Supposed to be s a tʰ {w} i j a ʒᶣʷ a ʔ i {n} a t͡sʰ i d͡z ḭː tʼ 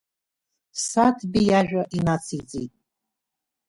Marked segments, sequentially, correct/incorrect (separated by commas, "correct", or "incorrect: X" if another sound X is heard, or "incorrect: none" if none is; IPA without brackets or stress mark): incorrect: b, correct